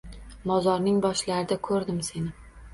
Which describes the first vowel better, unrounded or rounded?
rounded